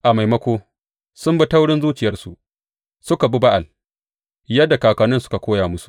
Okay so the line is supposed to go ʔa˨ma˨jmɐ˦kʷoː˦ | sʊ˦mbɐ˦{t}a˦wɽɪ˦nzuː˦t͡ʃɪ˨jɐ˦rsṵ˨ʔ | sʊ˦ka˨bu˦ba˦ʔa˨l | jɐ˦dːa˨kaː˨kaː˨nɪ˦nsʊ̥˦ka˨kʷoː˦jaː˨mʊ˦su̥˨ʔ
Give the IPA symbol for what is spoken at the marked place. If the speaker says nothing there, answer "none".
t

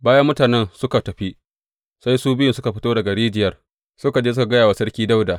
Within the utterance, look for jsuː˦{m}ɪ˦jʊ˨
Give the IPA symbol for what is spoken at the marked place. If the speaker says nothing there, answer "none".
b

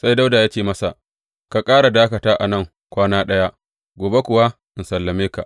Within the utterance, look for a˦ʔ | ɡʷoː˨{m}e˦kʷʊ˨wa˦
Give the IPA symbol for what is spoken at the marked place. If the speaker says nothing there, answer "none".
b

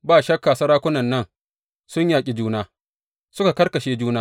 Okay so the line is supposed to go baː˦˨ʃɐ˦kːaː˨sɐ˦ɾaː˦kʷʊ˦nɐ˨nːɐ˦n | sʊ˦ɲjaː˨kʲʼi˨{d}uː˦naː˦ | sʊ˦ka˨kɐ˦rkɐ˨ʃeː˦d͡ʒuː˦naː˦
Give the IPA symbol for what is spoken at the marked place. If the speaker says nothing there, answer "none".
d͡ʒ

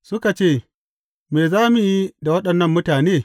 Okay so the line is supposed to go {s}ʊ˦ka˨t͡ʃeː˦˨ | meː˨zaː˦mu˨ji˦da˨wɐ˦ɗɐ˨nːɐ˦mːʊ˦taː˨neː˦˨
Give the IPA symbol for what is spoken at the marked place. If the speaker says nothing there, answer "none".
s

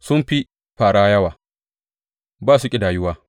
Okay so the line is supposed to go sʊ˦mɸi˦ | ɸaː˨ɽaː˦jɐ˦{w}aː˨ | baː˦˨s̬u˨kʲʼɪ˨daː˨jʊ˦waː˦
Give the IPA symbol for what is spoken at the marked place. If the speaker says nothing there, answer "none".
w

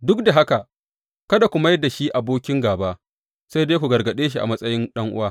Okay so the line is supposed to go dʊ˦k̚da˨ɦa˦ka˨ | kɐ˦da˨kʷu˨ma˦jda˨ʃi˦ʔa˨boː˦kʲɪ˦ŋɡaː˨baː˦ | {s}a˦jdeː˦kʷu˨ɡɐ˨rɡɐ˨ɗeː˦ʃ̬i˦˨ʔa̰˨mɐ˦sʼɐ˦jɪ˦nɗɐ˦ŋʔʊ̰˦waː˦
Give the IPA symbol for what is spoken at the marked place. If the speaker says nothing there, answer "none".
s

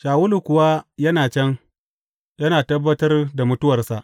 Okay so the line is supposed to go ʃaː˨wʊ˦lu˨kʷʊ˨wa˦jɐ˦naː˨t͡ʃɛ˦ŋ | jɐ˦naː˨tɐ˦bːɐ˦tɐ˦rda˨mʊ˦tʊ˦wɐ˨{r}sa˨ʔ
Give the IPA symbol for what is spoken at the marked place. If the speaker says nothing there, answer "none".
r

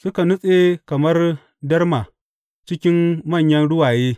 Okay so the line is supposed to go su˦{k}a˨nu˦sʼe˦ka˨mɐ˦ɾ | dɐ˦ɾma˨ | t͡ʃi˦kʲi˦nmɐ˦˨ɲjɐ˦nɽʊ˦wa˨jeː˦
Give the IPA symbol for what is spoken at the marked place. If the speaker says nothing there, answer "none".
k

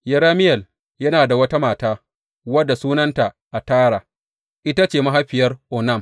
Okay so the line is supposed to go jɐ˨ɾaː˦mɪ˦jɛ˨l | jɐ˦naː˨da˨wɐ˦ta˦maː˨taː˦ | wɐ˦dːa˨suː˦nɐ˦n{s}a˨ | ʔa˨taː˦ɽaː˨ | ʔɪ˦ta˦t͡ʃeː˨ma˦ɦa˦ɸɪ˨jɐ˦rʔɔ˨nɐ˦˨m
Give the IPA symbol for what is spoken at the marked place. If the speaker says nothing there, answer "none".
t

